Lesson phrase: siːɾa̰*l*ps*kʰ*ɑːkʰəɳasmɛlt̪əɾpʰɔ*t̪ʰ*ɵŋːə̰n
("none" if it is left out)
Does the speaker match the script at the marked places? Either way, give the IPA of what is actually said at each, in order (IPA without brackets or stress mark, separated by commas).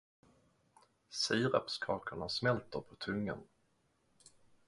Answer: none, kʰ, t̪ʰ